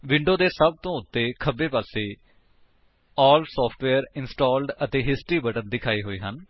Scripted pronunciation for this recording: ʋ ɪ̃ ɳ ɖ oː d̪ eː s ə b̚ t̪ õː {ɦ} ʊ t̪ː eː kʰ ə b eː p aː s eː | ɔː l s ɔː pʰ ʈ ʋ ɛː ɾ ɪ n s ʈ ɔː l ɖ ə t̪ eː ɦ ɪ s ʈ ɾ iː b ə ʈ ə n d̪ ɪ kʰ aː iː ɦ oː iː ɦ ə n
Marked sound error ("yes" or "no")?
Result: yes